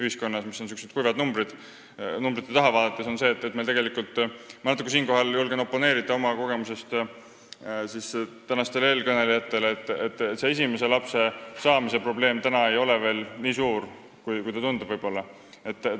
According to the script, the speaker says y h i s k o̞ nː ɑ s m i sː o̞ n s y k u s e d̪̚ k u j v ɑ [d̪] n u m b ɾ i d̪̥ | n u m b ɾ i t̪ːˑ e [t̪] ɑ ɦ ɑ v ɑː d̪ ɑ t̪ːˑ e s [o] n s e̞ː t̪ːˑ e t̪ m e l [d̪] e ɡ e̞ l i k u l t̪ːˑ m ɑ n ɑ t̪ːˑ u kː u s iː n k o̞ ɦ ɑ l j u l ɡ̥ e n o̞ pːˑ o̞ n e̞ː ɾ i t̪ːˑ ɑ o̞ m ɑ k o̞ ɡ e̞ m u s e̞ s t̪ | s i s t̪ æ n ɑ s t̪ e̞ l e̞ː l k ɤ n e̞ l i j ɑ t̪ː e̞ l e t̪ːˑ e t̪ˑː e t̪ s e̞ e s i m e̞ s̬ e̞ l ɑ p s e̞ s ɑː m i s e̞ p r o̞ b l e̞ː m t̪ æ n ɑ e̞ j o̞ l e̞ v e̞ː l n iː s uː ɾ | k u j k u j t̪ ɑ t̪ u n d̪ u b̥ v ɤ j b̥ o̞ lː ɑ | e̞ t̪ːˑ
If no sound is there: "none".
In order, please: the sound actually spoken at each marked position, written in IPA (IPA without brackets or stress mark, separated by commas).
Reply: d̪, t̪, o, t̪